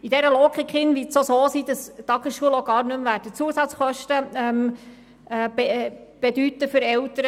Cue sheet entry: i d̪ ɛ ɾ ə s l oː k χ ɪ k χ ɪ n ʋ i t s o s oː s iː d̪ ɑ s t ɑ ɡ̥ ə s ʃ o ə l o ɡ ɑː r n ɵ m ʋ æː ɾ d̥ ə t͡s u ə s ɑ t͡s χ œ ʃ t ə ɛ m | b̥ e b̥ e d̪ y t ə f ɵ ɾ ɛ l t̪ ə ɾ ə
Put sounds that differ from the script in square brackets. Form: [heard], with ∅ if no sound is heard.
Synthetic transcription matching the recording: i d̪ ɛ ɾ ə [∅] l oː k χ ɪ k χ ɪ n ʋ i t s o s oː s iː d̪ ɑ s t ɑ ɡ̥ ə s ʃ [u] ə l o ɡ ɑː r n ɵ m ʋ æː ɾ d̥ ə t͡s u ə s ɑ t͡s χ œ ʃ t ə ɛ m | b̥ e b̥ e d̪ y t ə f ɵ ɾ ɛ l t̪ ə ɾ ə